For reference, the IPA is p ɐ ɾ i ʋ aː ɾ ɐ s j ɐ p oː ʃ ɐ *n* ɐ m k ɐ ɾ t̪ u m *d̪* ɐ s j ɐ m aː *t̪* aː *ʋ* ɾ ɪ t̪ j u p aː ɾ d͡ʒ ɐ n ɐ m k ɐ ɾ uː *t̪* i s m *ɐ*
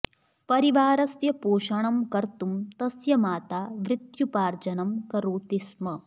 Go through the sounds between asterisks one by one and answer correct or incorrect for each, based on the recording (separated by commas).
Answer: incorrect, incorrect, correct, correct, correct, correct